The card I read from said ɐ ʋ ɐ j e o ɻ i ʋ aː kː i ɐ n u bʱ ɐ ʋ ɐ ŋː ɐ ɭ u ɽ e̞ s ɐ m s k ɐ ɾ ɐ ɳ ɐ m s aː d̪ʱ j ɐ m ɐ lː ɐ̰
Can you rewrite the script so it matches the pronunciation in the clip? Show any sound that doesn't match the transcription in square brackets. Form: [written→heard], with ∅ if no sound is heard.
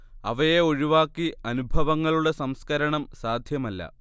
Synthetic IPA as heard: ɐ ʋ ɐ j e o ɻ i ʋ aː kː i ɐ n u bʱ ɐ ʋ ɐ ŋː ɐ ɭ u ɽ e̞ s ɐ m s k ɐ ɾ ɐ ɳ ɐ m s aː d̪ʱ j ɐ m ɐ lː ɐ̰